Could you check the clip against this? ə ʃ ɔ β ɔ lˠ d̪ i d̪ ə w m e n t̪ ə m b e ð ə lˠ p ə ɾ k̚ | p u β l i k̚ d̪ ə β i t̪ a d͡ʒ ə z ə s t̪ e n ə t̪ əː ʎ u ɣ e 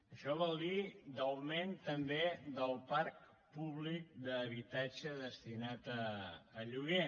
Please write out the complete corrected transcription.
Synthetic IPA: ə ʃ ɔ β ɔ lˠ d̪ i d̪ ə w m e n t̪ ə m b e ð ə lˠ p a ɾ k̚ | p u β l i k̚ d̪ ə β i t̪ a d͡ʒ ə ð ə s t̪ i n a t̪ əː ʎ u ɣ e